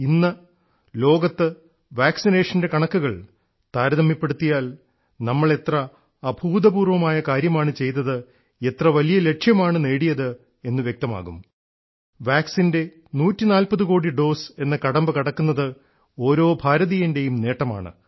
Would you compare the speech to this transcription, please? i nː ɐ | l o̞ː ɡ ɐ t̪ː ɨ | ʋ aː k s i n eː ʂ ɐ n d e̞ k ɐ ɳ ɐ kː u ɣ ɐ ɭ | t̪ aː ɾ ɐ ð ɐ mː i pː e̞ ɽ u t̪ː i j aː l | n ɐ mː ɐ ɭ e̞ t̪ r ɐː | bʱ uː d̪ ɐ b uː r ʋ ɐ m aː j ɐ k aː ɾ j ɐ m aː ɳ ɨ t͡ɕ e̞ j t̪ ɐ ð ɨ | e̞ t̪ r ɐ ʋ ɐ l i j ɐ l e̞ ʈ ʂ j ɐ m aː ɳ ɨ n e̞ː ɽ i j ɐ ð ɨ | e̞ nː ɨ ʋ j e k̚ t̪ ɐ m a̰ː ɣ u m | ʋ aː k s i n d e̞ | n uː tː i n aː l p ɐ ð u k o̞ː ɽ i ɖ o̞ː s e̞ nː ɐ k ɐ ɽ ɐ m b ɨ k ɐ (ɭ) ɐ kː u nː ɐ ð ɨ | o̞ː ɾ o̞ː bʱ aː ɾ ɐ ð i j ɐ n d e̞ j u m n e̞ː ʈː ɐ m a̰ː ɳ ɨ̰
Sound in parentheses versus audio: incorrect: ɽ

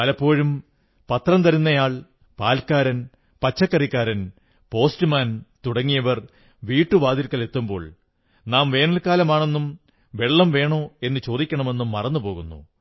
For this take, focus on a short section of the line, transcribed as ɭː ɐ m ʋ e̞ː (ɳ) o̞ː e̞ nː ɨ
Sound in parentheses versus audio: correct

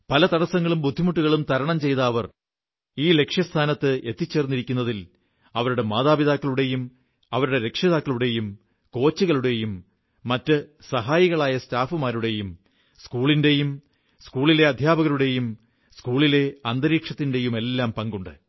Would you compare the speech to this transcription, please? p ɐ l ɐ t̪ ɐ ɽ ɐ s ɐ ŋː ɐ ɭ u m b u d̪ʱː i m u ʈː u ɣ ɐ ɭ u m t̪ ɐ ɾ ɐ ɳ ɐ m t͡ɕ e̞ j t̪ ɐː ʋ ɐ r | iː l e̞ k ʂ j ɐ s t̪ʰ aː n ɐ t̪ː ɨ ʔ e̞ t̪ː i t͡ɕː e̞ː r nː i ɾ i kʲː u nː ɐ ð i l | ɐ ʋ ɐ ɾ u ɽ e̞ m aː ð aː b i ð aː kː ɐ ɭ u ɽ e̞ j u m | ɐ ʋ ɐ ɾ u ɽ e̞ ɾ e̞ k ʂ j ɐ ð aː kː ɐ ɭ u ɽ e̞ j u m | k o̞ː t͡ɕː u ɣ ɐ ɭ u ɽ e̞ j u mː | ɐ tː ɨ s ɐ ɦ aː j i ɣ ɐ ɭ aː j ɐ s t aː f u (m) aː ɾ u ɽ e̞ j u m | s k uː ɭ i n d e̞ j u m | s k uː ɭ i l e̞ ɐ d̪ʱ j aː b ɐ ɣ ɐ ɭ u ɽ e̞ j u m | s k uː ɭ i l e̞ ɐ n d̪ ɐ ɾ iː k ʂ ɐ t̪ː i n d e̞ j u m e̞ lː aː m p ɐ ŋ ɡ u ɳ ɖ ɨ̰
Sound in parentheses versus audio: correct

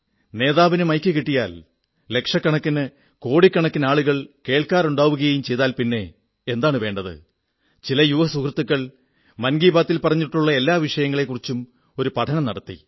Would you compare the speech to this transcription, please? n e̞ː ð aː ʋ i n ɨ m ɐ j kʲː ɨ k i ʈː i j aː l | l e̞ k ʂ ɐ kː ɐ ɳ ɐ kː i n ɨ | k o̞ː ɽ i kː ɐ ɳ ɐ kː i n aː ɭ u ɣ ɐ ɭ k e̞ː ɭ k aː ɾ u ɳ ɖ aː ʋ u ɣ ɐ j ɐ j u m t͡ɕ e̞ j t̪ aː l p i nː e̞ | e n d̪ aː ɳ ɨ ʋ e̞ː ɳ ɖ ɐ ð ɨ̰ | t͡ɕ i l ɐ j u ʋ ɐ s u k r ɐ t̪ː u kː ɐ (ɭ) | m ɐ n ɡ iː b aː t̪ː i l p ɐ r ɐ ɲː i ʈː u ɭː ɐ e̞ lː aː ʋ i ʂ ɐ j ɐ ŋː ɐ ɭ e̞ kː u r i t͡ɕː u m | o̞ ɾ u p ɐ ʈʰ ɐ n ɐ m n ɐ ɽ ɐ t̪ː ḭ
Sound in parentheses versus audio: correct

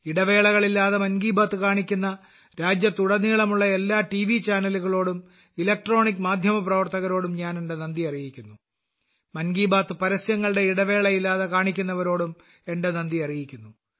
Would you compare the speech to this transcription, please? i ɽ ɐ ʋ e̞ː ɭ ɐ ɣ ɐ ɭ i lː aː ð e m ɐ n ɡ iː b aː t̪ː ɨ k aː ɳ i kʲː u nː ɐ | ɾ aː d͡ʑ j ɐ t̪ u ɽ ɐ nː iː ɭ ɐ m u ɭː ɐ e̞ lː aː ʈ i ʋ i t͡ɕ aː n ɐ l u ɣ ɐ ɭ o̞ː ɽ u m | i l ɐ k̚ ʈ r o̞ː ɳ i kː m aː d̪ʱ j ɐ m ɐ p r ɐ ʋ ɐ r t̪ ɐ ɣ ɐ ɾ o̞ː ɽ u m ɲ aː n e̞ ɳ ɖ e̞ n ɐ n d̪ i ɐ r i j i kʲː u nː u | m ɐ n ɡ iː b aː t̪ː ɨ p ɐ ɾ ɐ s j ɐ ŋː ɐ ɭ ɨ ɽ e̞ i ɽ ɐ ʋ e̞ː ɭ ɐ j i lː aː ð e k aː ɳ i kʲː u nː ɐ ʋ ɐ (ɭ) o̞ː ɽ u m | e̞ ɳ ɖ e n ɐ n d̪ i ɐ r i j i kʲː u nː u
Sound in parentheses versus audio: incorrect: ɾ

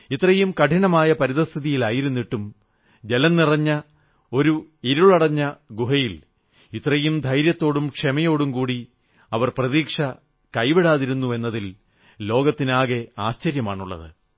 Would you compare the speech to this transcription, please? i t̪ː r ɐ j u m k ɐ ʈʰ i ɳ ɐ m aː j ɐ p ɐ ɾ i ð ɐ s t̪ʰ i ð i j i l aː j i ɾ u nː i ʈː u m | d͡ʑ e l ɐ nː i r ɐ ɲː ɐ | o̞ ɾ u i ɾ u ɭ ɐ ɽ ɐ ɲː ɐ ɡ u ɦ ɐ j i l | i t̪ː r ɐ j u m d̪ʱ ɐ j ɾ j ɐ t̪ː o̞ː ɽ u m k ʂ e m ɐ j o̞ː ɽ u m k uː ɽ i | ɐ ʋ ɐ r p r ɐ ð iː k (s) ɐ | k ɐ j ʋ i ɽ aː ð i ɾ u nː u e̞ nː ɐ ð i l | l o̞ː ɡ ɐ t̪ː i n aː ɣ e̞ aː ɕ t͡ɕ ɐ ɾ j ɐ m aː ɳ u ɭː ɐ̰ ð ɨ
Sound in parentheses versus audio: incorrect: ʂ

